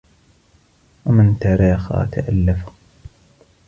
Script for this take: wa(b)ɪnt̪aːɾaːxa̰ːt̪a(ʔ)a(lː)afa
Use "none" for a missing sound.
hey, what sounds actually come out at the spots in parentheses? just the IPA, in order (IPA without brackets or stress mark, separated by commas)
m, ʔ, lː